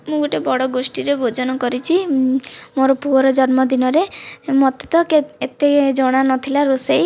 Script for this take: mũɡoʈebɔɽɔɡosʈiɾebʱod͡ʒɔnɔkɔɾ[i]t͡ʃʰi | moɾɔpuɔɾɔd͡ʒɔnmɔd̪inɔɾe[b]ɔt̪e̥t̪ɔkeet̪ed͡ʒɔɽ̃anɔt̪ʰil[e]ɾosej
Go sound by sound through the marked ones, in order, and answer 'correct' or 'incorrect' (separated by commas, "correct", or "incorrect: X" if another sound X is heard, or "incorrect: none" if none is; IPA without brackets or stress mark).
correct, incorrect: m, incorrect: a